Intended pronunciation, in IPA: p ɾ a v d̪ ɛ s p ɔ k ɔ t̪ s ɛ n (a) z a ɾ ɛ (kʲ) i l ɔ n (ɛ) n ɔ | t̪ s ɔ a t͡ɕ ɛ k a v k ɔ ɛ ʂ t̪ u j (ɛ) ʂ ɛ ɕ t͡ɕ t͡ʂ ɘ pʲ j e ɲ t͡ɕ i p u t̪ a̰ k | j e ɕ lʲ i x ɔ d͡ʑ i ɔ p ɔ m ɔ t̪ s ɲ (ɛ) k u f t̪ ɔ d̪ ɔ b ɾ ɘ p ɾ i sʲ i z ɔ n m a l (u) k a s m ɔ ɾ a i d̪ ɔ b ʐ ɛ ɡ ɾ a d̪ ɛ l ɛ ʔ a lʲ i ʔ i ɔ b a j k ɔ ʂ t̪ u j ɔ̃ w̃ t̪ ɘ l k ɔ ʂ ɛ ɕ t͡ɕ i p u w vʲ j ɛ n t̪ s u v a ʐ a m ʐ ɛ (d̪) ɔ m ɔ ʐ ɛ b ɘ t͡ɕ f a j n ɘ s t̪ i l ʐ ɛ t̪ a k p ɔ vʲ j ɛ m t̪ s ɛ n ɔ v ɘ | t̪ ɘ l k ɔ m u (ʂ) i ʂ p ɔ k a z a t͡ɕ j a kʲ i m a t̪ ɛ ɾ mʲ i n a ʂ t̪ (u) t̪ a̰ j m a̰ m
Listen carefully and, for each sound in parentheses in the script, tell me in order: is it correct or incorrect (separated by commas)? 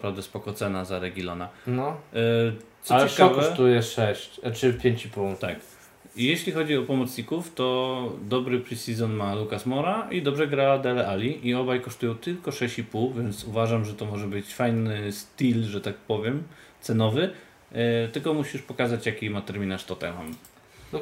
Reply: correct, incorrect, incorrect, correct, incorrect, correct, incorrect, incorrect, incorrect